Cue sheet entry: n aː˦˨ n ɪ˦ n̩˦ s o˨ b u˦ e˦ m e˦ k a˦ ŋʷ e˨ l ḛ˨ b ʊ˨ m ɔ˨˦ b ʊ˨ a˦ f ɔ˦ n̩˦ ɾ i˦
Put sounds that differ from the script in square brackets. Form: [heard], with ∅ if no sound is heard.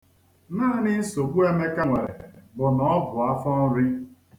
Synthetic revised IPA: n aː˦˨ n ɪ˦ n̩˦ s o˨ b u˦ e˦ m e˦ k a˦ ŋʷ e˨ [ɾ] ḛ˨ b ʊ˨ [n] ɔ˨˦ b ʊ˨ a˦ f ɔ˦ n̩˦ ɾ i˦